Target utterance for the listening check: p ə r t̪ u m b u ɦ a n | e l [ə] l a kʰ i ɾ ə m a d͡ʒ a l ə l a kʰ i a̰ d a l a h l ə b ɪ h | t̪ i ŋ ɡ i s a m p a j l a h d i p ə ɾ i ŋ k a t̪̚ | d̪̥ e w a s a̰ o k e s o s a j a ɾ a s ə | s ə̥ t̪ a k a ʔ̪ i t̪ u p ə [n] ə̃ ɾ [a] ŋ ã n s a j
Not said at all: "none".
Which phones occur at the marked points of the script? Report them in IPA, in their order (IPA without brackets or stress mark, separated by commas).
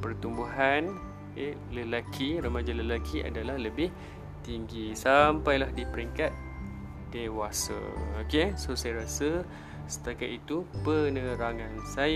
ə, n, a